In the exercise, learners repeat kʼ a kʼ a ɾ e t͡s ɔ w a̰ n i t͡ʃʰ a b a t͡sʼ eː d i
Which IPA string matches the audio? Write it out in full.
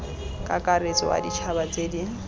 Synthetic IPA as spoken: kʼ a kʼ a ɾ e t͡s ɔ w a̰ d i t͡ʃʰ a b a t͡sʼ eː d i